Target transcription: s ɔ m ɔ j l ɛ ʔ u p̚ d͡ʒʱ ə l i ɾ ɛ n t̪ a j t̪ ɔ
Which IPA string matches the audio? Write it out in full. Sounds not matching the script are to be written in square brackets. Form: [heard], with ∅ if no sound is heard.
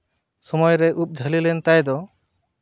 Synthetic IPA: s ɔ m ɔ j [ɾ] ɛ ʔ u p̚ d͡ʒʱ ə l i [l] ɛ n t̪ a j [d̪] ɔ